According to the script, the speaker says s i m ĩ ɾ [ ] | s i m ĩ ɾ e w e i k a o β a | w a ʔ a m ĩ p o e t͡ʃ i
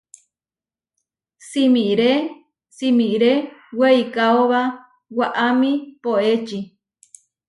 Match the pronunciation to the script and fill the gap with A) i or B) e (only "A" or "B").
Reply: B